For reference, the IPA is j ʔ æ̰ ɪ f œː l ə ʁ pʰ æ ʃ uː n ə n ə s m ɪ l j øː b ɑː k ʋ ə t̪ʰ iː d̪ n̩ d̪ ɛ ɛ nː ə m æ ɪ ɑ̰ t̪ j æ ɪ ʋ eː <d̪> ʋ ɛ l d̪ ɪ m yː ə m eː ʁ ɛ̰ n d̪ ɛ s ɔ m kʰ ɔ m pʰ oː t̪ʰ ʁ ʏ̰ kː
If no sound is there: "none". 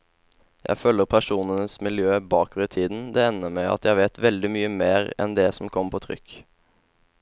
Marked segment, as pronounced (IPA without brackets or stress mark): t̪